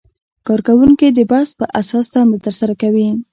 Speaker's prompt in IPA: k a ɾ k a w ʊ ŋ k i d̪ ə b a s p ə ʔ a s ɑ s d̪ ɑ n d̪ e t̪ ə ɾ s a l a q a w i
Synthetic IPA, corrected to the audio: k ɑ ɾ k a w u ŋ k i d̪ ə b a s p ə ʔ a s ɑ s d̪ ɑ n d̪ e t̪ ə ɾ s a ɾ a k a w i